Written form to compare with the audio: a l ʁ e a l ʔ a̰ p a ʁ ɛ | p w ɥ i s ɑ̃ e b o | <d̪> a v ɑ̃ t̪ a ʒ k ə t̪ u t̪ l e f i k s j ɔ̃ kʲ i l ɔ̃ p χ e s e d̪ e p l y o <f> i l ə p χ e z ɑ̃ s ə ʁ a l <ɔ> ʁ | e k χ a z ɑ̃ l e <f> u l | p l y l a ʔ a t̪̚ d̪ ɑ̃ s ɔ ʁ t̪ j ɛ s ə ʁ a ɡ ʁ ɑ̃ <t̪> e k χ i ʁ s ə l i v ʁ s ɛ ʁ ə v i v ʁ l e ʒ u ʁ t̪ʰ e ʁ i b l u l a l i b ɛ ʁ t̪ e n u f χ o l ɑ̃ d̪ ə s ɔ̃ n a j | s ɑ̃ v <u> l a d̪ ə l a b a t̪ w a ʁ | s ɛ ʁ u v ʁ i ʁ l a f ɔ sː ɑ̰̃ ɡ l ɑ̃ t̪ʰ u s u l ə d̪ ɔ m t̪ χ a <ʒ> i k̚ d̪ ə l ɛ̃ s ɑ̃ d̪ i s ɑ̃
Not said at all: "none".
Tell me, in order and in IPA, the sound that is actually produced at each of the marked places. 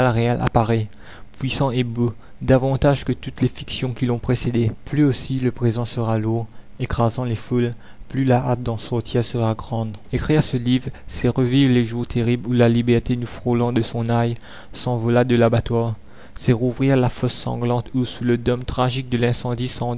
d̪, s, u, f, d̪, ɔ, ʒ

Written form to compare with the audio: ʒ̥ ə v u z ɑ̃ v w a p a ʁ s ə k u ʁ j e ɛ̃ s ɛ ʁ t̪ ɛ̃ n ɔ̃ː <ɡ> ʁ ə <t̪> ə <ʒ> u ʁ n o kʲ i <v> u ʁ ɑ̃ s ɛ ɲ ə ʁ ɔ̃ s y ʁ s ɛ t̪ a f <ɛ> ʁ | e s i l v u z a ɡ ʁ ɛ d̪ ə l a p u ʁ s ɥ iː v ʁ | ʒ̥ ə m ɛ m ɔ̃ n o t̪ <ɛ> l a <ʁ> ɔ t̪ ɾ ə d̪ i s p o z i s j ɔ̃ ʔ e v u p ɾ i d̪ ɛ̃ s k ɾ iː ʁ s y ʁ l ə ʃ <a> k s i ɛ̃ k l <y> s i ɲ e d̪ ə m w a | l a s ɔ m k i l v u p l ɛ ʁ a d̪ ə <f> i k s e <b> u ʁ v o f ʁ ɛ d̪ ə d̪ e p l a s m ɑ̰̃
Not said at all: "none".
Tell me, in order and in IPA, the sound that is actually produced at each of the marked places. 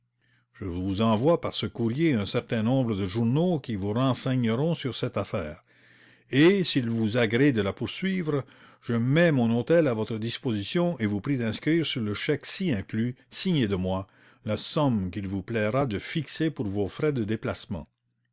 b, d̪, ʒ, v, ɛː, ɛ, v, ɛ, y, f, p

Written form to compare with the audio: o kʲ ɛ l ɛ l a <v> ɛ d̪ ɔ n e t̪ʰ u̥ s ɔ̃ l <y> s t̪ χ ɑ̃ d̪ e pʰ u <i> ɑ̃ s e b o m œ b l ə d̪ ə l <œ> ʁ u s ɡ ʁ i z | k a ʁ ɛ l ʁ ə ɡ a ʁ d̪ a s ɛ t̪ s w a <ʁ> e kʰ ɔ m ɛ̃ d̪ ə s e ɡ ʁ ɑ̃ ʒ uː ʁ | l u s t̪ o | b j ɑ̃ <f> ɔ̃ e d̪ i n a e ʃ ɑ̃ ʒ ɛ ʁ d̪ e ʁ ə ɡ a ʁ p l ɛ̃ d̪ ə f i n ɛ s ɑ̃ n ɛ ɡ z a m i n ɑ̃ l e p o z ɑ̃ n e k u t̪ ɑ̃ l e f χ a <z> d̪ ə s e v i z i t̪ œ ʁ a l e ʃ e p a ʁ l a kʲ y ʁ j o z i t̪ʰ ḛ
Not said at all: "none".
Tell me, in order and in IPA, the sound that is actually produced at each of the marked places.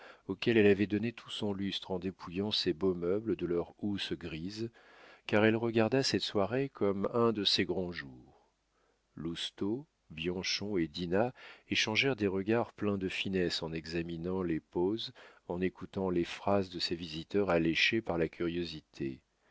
v, y, j, œ, ʁ, ʃ, z

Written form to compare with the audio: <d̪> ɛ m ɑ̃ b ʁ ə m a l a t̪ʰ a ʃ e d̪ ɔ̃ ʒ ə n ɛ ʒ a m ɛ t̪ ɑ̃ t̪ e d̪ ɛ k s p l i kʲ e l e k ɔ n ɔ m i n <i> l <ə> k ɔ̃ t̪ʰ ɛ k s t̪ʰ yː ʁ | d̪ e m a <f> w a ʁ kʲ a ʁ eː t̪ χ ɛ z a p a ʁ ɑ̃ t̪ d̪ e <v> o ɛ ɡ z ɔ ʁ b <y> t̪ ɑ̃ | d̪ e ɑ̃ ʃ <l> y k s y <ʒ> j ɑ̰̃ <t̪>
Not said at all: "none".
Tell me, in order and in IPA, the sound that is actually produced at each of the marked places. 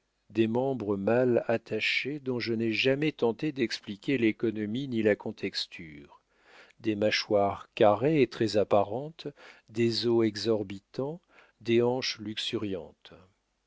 d̪, i, a, ʃ, z, i, l, ʁ, t̪

